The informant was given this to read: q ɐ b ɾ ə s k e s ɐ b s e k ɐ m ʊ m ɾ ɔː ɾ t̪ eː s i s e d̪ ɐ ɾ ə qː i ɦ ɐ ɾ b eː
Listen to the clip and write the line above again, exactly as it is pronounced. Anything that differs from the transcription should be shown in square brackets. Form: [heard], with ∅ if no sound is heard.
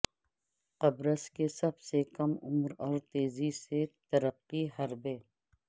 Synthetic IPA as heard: q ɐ b ɾ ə s k e s ɐ b s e k ɐ m ʊ m ɾ ɔː ɾ t̪ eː [z] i s e [t̪] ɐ ɾ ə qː i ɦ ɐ ɾ b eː